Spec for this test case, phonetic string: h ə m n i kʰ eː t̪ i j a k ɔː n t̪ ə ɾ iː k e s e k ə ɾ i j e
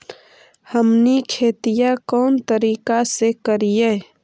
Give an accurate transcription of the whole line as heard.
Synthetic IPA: h ə m n i kʰ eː t̪ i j a k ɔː n t̪ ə ɾ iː k a s e k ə ɾ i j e